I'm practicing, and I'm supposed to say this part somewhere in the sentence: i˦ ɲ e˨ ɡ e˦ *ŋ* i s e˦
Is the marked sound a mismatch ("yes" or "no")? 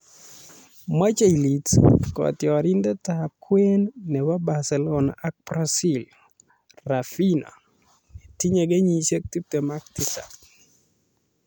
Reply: yes